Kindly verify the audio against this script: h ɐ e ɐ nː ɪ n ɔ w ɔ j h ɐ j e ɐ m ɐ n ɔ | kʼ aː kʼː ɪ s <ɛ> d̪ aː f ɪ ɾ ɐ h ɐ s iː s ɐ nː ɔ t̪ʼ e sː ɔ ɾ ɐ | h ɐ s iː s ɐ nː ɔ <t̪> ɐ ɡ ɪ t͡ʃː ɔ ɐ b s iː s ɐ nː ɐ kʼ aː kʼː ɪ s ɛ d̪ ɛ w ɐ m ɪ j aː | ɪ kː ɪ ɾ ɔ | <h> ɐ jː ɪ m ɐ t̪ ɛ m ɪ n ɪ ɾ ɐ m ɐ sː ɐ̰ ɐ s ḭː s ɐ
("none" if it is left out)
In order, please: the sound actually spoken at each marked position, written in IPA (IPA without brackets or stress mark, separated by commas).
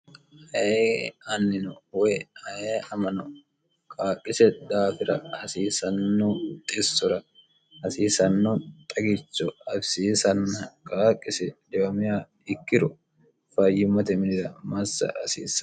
ɛ, t̪ʼ, f